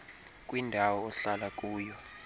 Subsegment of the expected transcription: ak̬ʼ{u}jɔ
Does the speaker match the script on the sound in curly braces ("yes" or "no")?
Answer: no